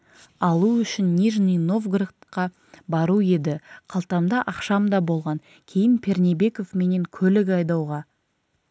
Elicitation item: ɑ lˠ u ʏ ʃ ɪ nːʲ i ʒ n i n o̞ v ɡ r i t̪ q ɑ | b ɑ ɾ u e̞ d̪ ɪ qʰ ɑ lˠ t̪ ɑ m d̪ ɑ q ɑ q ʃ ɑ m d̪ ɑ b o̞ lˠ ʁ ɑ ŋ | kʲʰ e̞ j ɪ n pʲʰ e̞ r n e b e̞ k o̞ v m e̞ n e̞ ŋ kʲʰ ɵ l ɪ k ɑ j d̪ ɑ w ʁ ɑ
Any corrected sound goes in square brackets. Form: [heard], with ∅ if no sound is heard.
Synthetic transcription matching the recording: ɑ lˠ u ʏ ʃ ɪ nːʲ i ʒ n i n o̞ v ɡ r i t̪ q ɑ | b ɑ ɾ u e̞ d̪ ɪ qʰ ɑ lˠ t̪ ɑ m d̪ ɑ [ʔ] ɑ q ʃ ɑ m d̪ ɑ b o̞ lˠ ʁ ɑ ŋ | kʲʰ e̞ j ɪ n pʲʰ e̞ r n e b e̞ k o̞ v m e̞ n e̞ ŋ kʲʰ ɵ l ɪ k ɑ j d̪ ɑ w ʁ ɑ